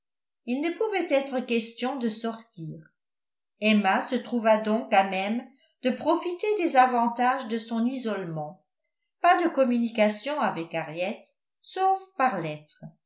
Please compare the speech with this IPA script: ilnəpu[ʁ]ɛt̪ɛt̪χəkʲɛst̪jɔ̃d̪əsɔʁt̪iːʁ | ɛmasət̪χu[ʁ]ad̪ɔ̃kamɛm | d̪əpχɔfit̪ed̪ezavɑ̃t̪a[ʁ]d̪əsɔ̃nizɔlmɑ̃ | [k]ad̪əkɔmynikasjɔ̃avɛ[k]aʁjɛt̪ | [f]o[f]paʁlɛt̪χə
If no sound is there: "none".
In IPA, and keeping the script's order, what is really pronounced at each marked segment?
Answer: v, v, ʒ, p, k, s, f

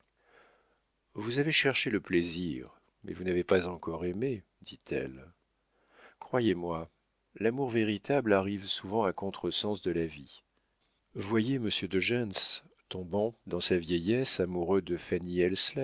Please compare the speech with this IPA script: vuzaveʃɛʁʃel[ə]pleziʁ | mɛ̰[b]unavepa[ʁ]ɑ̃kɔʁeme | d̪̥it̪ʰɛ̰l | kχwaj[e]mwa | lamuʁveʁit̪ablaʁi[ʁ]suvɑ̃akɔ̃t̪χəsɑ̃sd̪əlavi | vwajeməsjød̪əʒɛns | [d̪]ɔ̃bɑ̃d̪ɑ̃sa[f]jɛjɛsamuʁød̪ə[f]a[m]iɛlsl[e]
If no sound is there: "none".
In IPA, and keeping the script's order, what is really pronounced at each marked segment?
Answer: ə, v, z, e, v, t̪, v, f, n, ɛ

